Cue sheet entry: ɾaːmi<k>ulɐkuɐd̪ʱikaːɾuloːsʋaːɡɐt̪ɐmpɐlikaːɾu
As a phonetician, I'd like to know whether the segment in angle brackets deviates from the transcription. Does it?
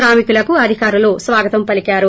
no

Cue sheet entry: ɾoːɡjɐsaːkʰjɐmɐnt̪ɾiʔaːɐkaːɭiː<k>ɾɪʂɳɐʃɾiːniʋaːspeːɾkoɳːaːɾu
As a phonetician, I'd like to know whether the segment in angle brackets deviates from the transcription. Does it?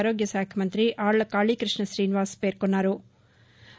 no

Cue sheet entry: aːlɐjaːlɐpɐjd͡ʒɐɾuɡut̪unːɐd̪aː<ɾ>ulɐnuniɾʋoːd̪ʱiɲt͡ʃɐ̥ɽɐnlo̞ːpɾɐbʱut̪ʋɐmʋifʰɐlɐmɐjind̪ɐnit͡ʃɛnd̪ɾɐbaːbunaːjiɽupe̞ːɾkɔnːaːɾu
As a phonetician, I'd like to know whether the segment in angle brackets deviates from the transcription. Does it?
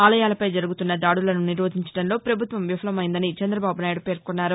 yes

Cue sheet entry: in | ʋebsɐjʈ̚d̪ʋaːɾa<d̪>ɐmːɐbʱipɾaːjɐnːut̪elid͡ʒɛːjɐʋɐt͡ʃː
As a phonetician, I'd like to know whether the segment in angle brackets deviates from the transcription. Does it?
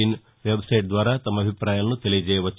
yes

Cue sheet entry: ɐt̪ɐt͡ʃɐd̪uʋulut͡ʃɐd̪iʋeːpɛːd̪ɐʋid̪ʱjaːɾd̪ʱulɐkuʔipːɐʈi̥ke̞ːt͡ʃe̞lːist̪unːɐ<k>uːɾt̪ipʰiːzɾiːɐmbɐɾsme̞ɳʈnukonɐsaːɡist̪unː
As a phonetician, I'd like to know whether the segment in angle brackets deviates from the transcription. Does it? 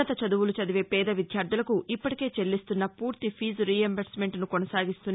yes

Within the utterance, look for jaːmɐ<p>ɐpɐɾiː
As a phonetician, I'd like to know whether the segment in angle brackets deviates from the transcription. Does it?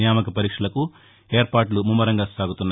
yes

